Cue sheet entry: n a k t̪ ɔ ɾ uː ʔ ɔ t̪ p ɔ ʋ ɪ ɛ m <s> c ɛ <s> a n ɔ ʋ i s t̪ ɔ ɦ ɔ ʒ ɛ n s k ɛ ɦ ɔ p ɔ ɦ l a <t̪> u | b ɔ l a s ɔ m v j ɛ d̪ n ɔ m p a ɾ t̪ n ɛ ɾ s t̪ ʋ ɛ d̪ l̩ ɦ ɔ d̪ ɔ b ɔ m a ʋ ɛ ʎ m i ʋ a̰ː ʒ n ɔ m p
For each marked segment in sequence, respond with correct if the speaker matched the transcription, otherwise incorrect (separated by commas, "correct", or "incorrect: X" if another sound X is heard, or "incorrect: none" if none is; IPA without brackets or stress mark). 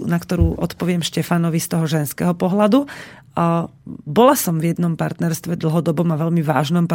incorrect: ʃ, incorrect: f, incorrect: d̪